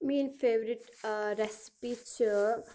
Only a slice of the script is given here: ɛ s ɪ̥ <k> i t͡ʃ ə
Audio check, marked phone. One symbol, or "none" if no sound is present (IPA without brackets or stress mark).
p